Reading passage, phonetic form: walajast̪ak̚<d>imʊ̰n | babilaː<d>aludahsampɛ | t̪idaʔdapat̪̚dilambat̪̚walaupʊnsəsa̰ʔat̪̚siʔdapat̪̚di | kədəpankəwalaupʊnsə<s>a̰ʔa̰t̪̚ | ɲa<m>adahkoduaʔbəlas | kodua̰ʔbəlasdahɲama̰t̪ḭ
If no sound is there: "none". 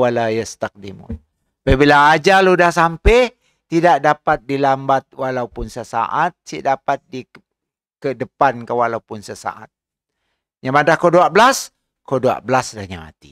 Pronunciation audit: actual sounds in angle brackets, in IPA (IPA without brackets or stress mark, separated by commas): d, d͡ʒ, s, m